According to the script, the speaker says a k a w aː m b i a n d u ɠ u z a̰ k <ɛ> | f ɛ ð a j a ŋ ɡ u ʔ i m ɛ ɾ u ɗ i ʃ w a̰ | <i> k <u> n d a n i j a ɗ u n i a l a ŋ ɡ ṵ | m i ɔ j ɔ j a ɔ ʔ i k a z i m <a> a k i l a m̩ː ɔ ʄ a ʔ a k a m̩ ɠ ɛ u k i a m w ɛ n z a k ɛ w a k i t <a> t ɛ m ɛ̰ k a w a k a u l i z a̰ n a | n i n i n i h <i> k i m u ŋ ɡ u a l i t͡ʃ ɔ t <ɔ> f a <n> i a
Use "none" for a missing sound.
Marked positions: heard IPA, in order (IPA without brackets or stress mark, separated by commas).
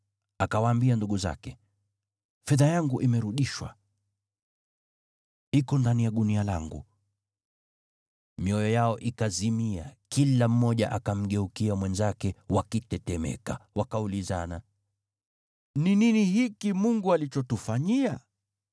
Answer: ɛ, i, ɔ, i, ɛ, i, u, ɲ